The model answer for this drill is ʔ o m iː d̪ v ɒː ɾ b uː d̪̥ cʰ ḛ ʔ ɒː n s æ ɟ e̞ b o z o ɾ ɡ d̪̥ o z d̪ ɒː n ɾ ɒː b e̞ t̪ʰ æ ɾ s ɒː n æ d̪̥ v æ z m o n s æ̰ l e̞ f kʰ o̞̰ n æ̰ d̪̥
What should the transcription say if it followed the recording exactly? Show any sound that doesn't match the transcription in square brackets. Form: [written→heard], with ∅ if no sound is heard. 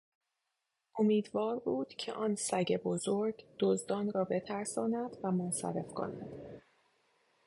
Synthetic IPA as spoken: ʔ o m iː d̪ v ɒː ɾ b uː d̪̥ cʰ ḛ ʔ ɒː n s æ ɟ e̞ b o z o ɾ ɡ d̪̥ o z d̪ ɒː n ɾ ɒː b e̞ t̪ʰ æ ɾ s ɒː n æ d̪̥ v æ [z→∅] m o n s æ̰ [l→ɾ] e̞ f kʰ o̞̰ n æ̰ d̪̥